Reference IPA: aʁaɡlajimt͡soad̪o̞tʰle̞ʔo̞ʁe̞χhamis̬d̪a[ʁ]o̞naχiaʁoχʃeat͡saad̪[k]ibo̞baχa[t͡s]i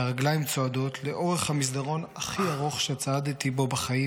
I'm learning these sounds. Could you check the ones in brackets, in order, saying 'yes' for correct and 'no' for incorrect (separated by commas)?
yes, no, no